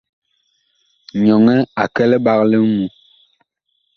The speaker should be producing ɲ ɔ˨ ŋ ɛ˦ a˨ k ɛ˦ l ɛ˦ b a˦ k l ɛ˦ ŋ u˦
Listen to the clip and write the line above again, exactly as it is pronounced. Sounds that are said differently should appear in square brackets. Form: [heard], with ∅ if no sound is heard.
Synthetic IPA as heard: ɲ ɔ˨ ŋ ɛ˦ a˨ k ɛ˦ l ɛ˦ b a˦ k l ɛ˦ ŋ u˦